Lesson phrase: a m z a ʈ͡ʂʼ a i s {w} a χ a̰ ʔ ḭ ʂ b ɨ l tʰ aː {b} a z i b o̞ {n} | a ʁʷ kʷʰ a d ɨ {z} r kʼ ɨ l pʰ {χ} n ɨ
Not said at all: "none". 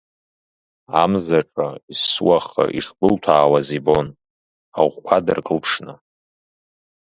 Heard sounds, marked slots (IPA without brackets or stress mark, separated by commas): w, w, n, none, ʂ